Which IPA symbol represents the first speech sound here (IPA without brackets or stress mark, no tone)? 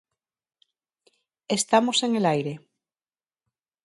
e